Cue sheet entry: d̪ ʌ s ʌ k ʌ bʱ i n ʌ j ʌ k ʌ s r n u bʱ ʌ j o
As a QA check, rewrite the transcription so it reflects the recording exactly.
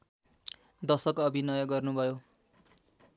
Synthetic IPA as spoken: d̪ ʌ s ʌ k ʌ bʱ i n ʌ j ʌ ɡ ʌ r n u bʱ ʌ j o